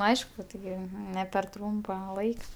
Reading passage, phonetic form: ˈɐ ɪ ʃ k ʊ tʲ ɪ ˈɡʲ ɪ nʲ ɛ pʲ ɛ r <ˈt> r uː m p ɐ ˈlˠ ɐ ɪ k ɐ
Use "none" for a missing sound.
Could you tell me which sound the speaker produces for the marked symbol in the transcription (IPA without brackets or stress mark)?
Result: t